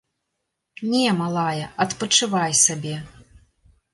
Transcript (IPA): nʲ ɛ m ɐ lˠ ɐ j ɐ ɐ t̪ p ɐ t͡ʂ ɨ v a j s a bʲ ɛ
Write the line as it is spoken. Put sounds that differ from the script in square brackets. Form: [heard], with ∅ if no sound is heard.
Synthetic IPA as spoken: nʲ ɛ m [a] lˠ [a] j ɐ ɐ t̪ p ɐ t͡ʂ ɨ v a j s a bʲ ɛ

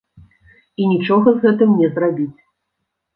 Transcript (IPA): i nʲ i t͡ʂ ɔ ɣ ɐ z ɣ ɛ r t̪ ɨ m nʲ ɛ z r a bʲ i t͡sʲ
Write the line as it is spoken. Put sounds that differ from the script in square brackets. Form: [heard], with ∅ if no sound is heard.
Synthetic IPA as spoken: i nʲ i t͡ʂ ɔ ɣ ɐ z ɣ ɛ [∅] t̪ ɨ m nʲ ɛ z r a bʲ i t͡sʲ

